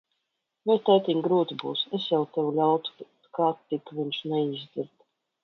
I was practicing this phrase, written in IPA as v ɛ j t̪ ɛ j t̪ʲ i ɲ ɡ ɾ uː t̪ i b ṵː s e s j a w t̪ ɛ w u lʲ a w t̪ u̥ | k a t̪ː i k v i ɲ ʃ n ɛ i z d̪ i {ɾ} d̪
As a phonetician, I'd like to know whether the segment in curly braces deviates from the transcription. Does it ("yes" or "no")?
no